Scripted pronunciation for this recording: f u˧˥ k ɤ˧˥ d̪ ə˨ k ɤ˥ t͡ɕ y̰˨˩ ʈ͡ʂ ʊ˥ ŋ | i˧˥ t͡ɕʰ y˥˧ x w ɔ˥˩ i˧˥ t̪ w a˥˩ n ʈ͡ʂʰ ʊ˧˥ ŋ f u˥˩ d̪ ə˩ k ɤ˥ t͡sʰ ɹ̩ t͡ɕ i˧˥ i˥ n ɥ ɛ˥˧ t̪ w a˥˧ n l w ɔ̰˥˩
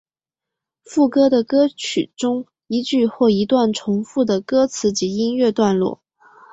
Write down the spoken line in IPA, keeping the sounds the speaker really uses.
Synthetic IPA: f u˥˩ k ɤ˥ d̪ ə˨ k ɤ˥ t͡ɕʰ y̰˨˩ ʈ͡ʂ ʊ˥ ŋ | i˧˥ t͡ɕ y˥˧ x w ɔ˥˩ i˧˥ t̪ w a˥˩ n ʈ͡ʂʰ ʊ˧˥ ŋ f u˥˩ d̪ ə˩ k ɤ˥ t͡sʰ ɹ̩ t͡ɕ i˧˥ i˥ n ɥ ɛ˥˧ t̪ w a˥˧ n l w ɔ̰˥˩